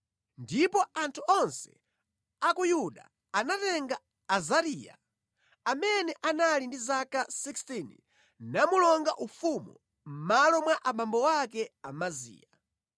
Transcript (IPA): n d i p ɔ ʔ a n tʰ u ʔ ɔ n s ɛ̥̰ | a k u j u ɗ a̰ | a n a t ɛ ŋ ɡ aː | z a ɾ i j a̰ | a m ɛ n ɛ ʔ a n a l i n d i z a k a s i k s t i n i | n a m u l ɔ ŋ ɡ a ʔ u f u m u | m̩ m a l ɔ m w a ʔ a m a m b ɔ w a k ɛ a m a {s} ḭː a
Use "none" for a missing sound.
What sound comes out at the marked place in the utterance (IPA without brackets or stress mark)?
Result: z